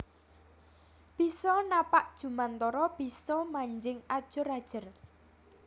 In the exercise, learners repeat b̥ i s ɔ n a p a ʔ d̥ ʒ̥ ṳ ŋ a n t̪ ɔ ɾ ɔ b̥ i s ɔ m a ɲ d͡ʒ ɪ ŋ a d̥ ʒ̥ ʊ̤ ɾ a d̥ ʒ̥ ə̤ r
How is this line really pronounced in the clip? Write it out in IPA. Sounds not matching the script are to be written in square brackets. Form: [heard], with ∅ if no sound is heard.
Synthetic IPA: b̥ i s ɔ n a p a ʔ d̥ ʒ̥ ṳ [m] a n t̪ ɔ ɾ ɔ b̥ i s ɔ m a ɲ d͡ʒ ɪ ŋ a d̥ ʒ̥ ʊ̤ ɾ a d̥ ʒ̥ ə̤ r